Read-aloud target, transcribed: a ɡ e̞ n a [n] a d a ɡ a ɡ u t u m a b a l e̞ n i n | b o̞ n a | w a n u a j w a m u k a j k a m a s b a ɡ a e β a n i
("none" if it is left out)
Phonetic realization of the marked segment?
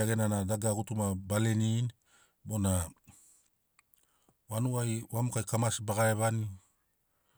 n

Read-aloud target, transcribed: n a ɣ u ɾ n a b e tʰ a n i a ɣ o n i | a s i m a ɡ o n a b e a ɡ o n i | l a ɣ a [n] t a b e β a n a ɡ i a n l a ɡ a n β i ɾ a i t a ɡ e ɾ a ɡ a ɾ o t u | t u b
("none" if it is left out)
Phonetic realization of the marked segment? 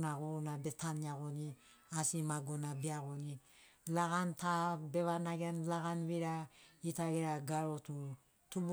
n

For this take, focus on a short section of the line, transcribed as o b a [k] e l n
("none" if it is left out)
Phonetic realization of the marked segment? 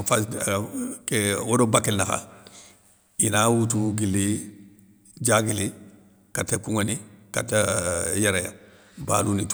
k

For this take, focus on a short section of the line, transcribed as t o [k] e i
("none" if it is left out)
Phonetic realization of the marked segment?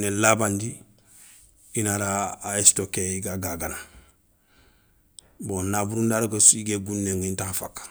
k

